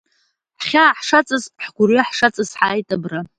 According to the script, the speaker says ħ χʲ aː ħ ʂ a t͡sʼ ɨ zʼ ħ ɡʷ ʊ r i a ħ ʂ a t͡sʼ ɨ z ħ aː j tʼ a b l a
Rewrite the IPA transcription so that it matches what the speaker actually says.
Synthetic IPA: ħ χʲ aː ħ ʂ a t͡sʼ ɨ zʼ ħ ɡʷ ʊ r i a ħ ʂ a t͡sʼ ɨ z ħ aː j tʼ a b r a